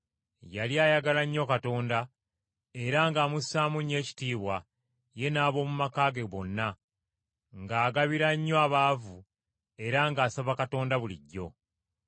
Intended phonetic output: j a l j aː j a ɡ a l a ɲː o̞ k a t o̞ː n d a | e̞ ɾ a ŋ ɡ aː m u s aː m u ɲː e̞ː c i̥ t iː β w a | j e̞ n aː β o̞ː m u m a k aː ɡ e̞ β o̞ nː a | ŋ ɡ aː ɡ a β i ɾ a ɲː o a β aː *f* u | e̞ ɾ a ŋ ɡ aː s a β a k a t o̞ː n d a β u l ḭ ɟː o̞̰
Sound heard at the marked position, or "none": v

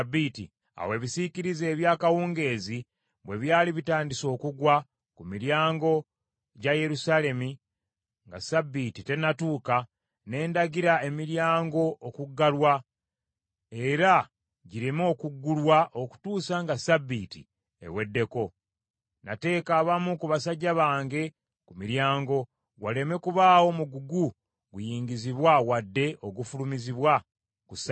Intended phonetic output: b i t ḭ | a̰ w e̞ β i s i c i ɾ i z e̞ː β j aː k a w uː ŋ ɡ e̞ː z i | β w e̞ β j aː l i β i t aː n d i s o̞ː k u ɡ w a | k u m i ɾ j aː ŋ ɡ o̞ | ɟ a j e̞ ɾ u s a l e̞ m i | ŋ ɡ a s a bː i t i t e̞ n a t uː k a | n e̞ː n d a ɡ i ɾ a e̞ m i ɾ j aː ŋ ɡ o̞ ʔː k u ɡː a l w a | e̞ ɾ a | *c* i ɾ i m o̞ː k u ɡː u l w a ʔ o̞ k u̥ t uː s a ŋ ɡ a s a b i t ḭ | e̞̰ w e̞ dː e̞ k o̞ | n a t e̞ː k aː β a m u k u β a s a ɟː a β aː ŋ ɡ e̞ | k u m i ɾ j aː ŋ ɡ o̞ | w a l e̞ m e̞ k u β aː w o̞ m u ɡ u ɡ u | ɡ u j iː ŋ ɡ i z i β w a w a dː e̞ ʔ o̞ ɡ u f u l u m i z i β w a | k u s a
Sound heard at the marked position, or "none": ɟ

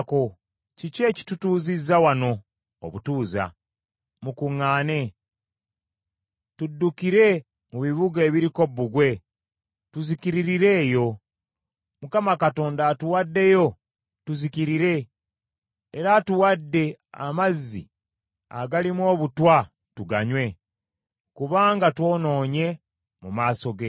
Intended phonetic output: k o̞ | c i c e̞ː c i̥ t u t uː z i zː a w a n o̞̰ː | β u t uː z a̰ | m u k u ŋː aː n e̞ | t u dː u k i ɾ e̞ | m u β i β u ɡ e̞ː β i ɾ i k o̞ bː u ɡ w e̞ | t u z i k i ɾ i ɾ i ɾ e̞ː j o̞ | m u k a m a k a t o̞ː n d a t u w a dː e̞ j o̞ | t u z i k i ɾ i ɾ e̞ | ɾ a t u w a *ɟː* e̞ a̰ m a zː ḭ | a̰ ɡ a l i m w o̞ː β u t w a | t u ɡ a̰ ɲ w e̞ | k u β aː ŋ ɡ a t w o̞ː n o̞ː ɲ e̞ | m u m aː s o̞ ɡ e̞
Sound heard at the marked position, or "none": dː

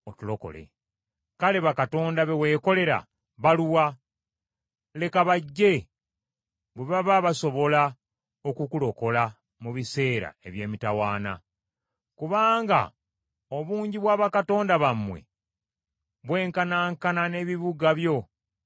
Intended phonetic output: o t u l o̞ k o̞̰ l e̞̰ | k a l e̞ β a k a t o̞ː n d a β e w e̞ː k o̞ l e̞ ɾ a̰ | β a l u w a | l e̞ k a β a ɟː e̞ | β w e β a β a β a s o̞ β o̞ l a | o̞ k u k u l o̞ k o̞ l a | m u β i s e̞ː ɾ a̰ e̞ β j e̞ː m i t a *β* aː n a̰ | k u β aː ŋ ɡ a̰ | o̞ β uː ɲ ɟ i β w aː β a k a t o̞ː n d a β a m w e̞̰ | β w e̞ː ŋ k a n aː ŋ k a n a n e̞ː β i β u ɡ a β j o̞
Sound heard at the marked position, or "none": w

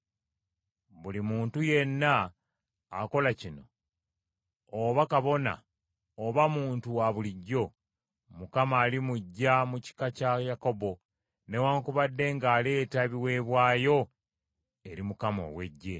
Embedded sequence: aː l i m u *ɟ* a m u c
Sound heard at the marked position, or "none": ɟː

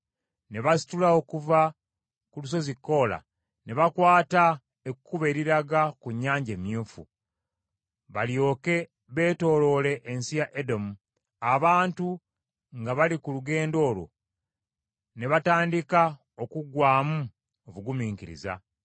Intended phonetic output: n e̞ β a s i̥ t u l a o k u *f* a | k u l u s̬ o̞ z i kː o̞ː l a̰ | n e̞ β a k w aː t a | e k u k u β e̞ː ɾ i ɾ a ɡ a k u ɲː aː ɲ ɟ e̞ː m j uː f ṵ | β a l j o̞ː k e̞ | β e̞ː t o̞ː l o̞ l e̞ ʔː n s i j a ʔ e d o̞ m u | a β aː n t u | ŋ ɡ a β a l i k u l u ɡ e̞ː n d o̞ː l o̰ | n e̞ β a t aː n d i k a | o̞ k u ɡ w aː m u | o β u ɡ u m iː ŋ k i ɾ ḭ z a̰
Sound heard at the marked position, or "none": v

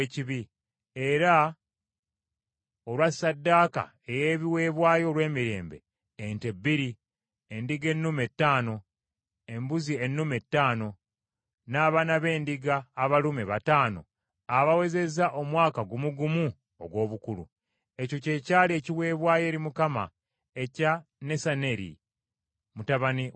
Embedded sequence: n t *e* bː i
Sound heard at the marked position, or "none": e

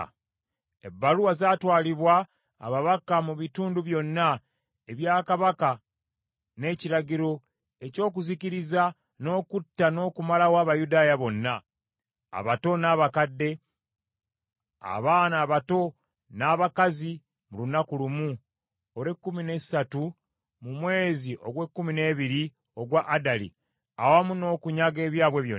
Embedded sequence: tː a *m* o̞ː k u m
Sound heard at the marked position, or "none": n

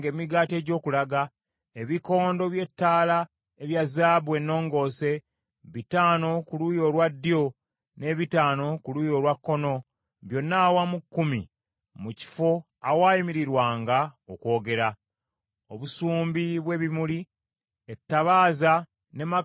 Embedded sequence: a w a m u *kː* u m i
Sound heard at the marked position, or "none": kː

